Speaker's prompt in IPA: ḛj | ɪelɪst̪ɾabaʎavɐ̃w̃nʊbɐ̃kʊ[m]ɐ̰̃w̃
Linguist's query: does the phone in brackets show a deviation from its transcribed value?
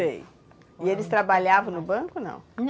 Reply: yes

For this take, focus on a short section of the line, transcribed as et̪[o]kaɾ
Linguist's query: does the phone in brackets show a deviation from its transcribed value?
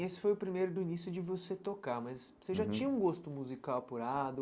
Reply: no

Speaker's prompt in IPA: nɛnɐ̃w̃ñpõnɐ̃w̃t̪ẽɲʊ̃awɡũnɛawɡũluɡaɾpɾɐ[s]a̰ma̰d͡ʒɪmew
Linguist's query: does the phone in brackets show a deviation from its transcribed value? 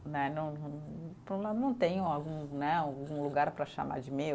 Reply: yes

